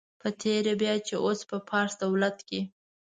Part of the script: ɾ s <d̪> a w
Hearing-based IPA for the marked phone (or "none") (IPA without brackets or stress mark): d̪